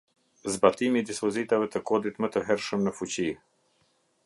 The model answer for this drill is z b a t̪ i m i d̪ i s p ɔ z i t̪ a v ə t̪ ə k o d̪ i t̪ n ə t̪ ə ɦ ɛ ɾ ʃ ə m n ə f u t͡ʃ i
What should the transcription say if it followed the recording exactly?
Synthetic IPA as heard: z b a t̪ i m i d̪ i s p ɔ z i t̪ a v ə t̪ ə k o d̪ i t̪ m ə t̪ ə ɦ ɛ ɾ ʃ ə m n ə f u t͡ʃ i

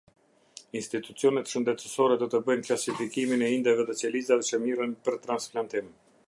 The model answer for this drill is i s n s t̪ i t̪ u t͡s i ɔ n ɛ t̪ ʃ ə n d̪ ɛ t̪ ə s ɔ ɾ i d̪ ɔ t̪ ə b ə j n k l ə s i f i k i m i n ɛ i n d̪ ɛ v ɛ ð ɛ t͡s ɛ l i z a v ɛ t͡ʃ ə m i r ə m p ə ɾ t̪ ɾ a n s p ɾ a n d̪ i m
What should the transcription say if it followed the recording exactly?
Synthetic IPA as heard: i n s t̪ i t̪ u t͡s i ɔ n ɛ t̪ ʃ ə n d̪ ɛ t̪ ə s ɔ ɾ ɛ d̪ ɔ t̪ ə b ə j n k l a s i f i k i m i n ɛ i n d̪ ɛ v ɛ ð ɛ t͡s ɛ l i z a v ɛ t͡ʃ ə m i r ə n p ə ɾ t̪ ɾ a n s p l a n t̪ i m

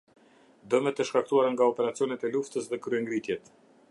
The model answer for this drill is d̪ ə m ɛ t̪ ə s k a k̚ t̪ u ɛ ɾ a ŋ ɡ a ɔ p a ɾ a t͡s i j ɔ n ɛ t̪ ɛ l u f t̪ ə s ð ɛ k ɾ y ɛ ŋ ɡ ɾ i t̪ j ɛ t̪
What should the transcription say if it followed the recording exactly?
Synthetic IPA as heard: d̪ ə m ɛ t̪ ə ʃ k a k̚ t̪ u a ɾ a ŋ ɡ a ɔ p ɛ ɾ a t͡s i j ɔ n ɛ t̪ ɛ l u f t̪ ə s ð ɛ k ɾ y ɛ ŋ ɡ ɾ i t̪ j ɛ t̪

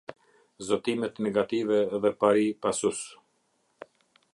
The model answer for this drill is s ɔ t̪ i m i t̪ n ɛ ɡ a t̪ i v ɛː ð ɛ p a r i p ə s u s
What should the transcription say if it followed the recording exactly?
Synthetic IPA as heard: z ɔ t̪ i m ɛ t̪ n ɛ ɡ a t̪ i v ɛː ð ɛ p a ɾ i p a s u s

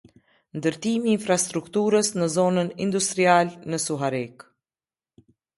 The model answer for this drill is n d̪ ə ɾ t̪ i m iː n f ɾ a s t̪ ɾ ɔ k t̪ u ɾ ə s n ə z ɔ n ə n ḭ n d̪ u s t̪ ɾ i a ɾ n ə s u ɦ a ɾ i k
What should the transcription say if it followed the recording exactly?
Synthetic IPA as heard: n d̪ ə ɾ t̪ i m iː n f ɾ a s t̪ ɾ u k t̪ u ɾ ə s n ə z ɔ n ə n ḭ n d̪ u s t̪ ɾ i a l n ə s u ɦ a ɾ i k

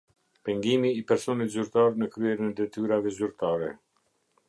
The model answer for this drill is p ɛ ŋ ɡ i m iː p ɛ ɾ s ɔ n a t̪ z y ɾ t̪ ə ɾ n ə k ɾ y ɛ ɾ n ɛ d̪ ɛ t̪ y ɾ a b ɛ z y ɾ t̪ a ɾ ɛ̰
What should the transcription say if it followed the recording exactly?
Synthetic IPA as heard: p ɛ ŋ ɡ i m iː p ɛ ɾ s ɔ n i t̪ z y ɾ t̪ a ɾ n ə k ɾ y ɛ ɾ n ɛ d̪ ɛ t̪ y ɾ a v ɛ z y ɾ t̪ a ɾ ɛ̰

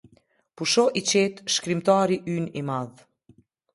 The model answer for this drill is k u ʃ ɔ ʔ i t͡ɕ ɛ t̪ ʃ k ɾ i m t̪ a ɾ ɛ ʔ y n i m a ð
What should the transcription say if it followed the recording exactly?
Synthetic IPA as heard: p u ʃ ɔ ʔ i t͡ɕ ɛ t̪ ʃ k ɾ i m t̪ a ɾ i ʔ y n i m a ð

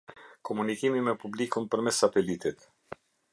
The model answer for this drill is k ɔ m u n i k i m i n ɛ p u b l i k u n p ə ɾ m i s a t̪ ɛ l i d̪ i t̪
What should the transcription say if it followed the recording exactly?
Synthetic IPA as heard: k ɔ m u n i k i m i m ɛ p u b l i k u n p ə ɾ m ɛ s a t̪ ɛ l i t̪ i t̪

